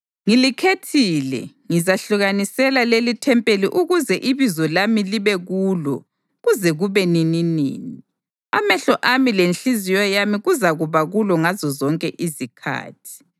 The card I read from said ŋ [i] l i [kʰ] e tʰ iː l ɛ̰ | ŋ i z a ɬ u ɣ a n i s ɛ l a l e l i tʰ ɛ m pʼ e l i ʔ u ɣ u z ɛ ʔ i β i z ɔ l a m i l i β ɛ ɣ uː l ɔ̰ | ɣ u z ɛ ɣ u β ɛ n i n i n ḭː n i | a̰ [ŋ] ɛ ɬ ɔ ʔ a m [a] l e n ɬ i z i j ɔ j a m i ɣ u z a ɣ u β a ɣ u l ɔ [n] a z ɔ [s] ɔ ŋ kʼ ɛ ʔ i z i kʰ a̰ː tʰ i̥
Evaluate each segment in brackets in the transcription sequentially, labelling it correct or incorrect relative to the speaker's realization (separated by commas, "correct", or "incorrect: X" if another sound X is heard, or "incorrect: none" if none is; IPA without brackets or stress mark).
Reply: correct, correct, incorrect: m, incorrect: i, incorrect: ŋ, incorrect: z